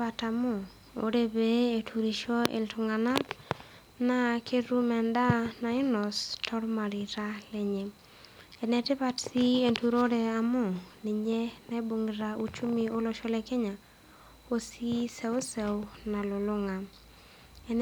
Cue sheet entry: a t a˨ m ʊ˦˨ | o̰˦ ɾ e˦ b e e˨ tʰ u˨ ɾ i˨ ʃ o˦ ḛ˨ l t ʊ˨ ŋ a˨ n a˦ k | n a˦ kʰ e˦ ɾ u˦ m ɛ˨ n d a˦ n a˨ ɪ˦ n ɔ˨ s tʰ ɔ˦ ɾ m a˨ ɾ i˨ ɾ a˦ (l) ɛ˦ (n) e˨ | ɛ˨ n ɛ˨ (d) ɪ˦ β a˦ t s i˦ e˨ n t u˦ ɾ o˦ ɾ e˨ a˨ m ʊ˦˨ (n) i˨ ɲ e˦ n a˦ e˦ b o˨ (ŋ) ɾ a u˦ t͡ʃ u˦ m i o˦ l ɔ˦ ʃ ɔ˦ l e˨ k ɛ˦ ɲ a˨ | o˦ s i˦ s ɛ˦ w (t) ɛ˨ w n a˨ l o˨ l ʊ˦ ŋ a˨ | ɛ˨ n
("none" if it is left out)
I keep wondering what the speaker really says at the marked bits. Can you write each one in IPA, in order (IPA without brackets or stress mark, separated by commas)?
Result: l, ɲ, t, n, ŋ, s